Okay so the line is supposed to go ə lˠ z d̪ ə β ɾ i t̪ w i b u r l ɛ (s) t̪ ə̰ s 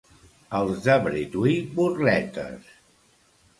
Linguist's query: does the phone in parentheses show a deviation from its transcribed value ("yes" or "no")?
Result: yes